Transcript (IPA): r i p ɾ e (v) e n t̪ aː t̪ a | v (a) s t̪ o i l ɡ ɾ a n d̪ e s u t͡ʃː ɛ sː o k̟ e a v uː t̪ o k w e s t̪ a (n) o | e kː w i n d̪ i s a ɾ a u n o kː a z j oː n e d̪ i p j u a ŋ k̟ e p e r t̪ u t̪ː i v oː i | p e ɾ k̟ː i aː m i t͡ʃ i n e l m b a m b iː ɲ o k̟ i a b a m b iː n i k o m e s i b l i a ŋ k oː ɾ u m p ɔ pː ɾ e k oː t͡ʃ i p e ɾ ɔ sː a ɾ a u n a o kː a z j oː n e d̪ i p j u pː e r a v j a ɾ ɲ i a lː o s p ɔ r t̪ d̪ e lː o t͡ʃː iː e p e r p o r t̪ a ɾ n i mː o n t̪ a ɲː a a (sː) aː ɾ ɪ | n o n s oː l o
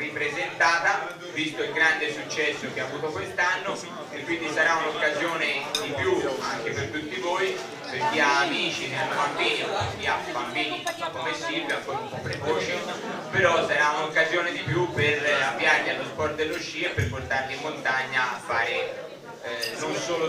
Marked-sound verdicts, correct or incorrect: incorrect: z, incorrect: i, incorrect: nː, incorrect: fː

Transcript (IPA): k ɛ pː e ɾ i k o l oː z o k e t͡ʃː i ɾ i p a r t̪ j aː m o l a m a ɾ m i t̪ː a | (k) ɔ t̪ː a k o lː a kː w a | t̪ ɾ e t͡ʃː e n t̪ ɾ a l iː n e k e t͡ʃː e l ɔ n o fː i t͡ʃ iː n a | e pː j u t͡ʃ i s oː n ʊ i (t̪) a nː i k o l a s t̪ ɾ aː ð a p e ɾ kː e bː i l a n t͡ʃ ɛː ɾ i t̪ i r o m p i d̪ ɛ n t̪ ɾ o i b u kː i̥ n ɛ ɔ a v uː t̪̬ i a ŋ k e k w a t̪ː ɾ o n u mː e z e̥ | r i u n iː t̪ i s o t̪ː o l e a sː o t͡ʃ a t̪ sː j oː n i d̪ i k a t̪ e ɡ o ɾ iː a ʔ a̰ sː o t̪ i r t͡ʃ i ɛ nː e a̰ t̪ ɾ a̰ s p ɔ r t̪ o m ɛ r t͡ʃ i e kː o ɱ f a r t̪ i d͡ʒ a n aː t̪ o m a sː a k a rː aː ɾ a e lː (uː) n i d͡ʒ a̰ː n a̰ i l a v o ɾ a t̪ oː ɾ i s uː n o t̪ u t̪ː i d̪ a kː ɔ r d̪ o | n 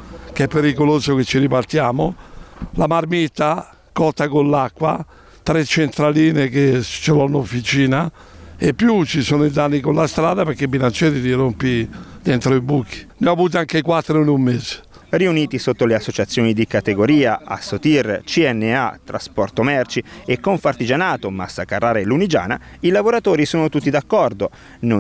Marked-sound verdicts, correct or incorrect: correct, incorrect: d̪, incorrect: u

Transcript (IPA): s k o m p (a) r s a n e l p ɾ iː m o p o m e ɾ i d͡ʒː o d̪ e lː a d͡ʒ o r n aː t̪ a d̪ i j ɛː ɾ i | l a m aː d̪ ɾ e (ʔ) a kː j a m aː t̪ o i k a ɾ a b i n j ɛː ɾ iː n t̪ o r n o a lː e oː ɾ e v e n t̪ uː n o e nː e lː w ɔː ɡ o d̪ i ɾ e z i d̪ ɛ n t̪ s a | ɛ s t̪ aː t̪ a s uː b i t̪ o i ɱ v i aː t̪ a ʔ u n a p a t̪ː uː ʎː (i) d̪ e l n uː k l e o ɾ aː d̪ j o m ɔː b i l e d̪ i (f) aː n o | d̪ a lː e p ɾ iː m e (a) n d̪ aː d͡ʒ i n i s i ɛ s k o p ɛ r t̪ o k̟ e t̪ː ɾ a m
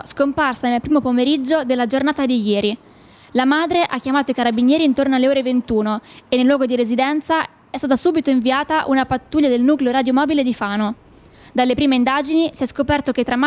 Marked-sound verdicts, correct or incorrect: correct, correct, incorrect: a, correct, incorrect: i

